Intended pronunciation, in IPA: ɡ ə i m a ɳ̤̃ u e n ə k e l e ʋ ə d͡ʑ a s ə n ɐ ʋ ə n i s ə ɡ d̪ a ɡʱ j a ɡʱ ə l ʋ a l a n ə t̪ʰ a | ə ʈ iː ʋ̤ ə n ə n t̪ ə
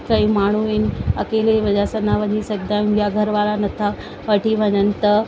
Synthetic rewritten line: k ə i m a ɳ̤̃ u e n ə k e l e ʋ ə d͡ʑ a s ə n a ʋ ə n i s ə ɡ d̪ a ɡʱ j a ɡʱ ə ɾ ʋ a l a n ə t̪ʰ a | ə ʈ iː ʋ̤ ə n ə n t̪ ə